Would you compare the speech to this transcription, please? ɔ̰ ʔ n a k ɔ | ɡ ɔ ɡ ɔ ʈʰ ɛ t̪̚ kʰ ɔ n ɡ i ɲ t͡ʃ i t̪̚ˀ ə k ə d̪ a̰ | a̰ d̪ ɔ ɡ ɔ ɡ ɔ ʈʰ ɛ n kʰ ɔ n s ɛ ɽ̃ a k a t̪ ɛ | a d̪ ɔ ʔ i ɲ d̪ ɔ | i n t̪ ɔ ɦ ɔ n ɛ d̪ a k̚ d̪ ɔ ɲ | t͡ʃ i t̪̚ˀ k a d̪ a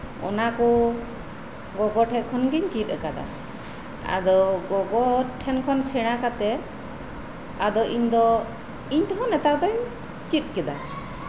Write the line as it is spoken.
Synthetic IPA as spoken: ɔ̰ n a k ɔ | ɡ ɔ ɡ ɔ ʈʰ ɛ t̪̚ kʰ ɔ n ɡ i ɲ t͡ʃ i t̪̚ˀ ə k a d̪ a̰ | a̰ d̪ ɔ ɡ ɔ ɡ ɔ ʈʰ ɛ n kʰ ɔ n s ɛ ɽ̃ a k a t̪ ɛ | a d̪ ɔ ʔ i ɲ d̪ ɔ | i ɲ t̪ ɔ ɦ ɔ n ɛ t̪ a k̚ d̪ ɔ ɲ | t͡ʃ i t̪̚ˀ k ɛ d̪ a